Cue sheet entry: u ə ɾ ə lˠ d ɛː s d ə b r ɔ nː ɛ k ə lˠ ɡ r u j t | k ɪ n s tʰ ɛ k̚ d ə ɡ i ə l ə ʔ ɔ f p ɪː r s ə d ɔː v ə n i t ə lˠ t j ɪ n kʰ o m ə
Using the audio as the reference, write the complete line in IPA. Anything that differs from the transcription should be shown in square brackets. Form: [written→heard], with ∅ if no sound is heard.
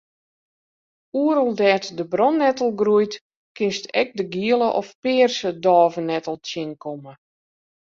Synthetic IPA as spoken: u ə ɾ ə lˠ d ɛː [s→t] d ə b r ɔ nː ɛ [k→t] ə lˠ ɡ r u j t | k ɪ n s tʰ ɛ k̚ d ə ɡ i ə l ə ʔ ɔ f p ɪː r s ə d ɔː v ə n [i→ɛ] t ə lˠ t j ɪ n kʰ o m ə